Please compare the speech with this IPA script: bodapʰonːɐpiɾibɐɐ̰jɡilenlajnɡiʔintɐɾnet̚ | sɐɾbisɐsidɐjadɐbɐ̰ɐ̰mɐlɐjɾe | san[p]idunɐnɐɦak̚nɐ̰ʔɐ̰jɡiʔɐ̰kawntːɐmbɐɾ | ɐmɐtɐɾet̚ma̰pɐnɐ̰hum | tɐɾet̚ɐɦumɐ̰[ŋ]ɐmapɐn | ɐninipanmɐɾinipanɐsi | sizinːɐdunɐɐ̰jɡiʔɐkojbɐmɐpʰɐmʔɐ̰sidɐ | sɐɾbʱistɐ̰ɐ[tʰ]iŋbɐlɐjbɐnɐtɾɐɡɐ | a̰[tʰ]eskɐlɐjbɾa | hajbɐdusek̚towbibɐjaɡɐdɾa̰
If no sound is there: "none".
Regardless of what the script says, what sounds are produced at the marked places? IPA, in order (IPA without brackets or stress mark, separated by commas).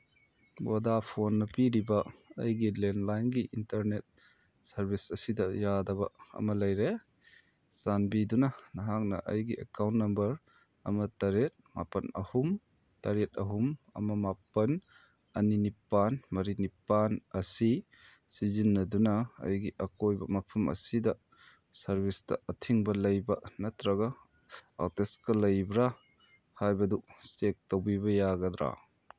b, m, tʰ, t